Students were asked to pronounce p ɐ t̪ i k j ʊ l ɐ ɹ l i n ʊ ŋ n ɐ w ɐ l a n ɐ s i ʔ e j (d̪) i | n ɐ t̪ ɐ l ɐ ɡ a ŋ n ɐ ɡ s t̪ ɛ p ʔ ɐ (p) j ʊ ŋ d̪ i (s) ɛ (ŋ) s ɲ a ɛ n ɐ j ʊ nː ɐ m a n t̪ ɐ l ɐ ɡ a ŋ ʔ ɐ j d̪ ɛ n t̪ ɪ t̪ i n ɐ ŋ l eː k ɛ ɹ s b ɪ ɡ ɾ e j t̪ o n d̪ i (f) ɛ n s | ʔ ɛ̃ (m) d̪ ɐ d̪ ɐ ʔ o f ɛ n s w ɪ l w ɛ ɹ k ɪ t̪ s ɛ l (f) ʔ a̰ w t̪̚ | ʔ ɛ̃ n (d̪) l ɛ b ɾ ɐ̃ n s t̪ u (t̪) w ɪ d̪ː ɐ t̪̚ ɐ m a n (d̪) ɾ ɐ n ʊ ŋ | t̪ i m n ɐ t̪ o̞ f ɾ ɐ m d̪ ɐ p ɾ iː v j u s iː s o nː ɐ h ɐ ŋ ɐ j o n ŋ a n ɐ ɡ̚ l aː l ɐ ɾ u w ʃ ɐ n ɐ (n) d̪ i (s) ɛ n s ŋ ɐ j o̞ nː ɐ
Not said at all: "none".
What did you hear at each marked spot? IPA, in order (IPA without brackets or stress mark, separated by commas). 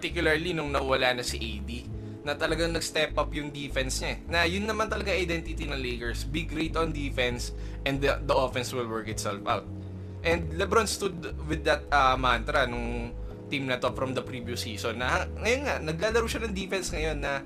d̪, p, f, n, f, n, f, d̪, d̪, t̪, ŋ, f